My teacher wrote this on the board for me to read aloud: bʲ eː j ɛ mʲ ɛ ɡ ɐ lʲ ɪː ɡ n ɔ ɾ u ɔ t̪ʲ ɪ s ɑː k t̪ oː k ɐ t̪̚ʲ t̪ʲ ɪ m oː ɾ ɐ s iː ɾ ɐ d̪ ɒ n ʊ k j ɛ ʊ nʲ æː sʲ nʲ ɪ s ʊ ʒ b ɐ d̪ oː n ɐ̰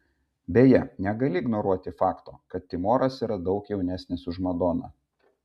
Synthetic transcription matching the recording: bʲ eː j ɛ nʲ ɛ ɡ ɐ lʲ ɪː ɡ n ɔ ɾ u ɔ t̪ʲ ɪ f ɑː k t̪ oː k ɐ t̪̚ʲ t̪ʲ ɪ m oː ɾ ɐ s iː ɾ ɐ d̪ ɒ ʊ k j ɛ ʊ nʲ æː sʲ nʲ ɪ s ʊ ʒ m ɐ d̪ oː n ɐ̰